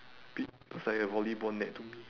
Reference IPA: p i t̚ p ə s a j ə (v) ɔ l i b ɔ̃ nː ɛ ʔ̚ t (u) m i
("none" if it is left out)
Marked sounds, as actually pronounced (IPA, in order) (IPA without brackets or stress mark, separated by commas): v, u